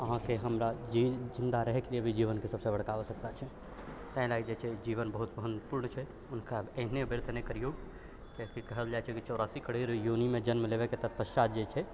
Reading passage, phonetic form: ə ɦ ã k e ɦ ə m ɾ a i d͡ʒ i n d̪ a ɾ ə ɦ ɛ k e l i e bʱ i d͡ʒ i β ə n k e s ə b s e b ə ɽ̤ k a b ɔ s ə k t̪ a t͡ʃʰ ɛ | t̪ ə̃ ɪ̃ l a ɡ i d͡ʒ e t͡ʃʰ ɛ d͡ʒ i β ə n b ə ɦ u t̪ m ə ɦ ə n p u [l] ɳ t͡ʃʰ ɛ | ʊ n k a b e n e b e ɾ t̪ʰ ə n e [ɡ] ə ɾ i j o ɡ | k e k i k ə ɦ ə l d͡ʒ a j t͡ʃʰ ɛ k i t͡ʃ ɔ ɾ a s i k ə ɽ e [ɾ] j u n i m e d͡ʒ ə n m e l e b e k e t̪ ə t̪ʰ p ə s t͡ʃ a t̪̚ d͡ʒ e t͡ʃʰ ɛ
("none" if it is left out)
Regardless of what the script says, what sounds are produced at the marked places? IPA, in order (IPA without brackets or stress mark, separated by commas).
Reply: ɾ, k, ɾ